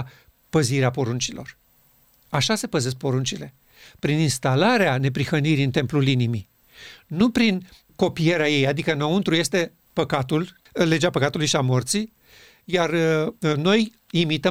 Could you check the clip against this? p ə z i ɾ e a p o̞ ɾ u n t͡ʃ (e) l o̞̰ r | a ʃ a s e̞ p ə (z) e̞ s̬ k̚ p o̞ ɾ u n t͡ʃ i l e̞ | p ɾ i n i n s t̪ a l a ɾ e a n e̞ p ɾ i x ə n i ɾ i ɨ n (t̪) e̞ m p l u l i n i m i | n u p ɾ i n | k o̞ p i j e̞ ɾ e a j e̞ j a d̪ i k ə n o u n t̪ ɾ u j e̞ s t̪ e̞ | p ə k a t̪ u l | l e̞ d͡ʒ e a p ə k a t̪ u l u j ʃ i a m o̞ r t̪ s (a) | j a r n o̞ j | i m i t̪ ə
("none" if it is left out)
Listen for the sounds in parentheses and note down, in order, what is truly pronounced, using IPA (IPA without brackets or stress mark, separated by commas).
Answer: i, z, t̪, i